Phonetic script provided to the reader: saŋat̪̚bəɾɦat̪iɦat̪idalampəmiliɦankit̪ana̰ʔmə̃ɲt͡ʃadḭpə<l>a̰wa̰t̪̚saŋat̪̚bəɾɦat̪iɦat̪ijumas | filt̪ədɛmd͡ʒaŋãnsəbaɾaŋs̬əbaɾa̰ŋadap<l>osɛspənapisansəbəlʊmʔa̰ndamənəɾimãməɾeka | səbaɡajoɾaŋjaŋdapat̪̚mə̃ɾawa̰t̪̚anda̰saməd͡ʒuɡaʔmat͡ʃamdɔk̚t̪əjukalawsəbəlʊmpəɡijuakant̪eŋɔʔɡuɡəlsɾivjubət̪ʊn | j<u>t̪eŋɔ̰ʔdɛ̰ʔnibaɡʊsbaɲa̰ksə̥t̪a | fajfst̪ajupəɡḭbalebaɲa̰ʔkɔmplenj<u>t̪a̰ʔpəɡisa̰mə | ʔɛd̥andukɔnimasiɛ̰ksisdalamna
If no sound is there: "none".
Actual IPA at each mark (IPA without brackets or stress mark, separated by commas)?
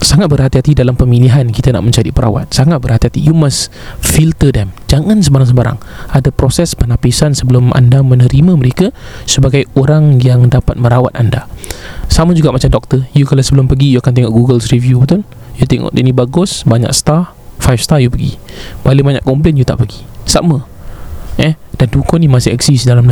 ɾ, ɾ, u, u